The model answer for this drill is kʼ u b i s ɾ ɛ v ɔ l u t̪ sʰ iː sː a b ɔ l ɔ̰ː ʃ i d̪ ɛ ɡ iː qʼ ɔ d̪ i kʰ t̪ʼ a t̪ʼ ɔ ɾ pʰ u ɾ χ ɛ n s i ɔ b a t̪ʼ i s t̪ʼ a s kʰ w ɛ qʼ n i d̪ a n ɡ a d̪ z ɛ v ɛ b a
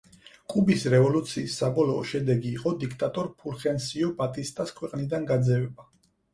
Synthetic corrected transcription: kʼ u b i s ɾ ɛ v ɔ l u t̪ sʰ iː sː a b ɔ l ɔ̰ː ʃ ɛ d̪ ɛ ɡ iː qʼ ɔ d̪ i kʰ t̪ʼ a t̪ʼ ɔ ɾ pʰ u ɾ χ ɛ n s i ɔ b a t̪ʼ i s t̪ʼ a s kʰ w ɛ qʼ n i d̪ a n ɡ a d̪ z ɛ v ɛ b a